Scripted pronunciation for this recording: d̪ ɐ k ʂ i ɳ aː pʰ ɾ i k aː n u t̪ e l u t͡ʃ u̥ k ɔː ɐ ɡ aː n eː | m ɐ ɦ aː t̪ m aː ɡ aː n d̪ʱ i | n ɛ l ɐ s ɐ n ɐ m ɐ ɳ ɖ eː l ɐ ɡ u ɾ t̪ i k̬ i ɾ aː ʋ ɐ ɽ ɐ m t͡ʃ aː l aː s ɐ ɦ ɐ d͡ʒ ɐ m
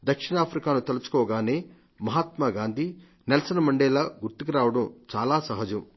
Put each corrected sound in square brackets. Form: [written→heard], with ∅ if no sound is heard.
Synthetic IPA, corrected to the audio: d̪ ɐ k ʂ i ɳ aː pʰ ɾ i k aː n u t̪ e l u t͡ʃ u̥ k ɔː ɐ ɡ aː n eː | m ɐ ɦ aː t̪ m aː ɡ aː n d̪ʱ i | n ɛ l ɐ s ɐ n ɐ m ɐ ɳ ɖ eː l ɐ ɡ u ɾ t̪ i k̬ i ɾ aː ʋ ɐ ɽ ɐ m t͡ʃ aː l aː s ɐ ɦ ɐ d͡ʒ ɐ m